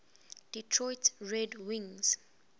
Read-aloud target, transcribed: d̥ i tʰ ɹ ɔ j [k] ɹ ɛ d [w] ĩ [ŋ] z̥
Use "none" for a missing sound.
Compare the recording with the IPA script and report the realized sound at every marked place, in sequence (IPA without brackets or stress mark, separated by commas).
t, w, ŋ